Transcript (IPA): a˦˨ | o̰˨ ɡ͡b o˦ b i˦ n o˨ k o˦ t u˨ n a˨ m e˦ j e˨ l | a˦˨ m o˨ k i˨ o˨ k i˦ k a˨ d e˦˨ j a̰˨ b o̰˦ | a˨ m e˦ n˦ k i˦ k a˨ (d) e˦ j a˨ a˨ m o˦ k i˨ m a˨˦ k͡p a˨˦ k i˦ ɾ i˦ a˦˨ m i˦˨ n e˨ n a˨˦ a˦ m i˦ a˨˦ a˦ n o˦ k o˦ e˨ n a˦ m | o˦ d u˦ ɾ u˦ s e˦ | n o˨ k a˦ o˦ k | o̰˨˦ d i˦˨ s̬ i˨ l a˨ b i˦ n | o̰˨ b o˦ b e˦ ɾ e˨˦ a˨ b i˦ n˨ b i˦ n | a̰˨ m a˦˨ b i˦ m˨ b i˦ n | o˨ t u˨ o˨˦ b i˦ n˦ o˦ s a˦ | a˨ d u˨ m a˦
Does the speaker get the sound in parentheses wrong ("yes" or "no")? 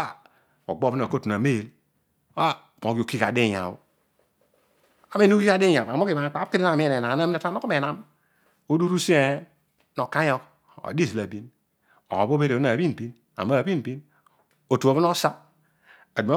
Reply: no